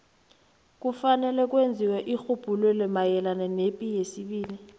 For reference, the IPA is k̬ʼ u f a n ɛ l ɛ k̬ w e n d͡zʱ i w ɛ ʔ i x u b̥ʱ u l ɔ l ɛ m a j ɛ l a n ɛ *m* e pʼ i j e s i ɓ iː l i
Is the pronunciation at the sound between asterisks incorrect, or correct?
incorrect